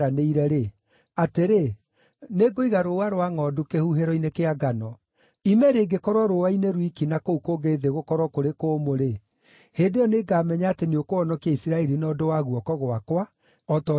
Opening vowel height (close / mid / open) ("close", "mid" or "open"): open